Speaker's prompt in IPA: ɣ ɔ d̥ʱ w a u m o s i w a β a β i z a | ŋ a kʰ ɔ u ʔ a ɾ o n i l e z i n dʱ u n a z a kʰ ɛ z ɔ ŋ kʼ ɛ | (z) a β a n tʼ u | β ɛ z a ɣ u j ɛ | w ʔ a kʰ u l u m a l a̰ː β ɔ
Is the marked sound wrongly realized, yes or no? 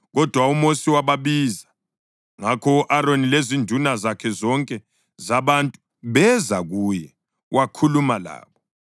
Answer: no